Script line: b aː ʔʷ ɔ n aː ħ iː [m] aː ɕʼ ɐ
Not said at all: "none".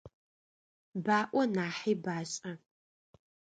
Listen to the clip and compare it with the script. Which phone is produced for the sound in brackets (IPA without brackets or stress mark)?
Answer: b